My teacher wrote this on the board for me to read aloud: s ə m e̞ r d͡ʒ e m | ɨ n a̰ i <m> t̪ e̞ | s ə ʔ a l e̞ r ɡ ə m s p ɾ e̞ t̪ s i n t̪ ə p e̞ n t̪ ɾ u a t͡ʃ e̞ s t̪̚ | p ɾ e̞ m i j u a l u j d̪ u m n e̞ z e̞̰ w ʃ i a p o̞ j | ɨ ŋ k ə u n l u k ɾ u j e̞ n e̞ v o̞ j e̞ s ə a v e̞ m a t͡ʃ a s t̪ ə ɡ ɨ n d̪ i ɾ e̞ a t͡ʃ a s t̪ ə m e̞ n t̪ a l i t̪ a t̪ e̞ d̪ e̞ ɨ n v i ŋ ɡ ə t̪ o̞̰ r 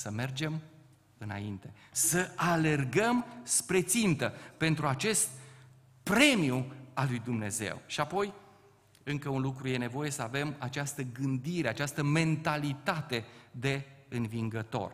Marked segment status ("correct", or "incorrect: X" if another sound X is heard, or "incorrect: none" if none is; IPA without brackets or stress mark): incorrect: n